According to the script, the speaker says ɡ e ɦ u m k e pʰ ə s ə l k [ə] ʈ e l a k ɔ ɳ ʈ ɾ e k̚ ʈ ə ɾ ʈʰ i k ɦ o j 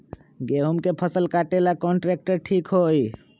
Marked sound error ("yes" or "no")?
yes